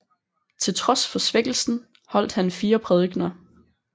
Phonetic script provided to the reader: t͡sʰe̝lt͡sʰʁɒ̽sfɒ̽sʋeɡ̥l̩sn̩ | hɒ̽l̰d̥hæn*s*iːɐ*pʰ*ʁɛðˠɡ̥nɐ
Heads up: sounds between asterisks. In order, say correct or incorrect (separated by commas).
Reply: incorrect, correct